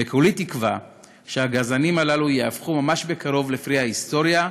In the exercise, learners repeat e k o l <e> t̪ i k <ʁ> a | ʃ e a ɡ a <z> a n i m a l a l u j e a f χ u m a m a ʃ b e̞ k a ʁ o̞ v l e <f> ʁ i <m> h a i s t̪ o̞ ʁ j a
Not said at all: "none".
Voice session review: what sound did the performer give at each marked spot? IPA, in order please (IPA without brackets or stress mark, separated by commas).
i, v, z, f, none